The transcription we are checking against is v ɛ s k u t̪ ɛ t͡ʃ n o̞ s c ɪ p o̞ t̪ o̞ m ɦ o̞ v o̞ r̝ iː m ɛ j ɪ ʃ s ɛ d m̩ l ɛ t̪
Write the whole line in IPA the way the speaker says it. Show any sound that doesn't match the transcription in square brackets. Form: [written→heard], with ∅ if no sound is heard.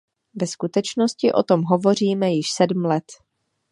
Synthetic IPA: v ɛ s k u t̪ ɛ t͡ʃ n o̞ s c ɪ [p→ʔ] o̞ t̪ o̞ m ɦ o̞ v o̞ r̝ iː m ɛ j ɪ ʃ s ɛ d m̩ l ɛ t̪